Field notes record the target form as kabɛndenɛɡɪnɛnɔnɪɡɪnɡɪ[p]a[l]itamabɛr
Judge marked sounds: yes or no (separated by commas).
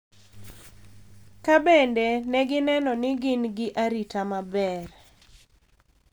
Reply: no, no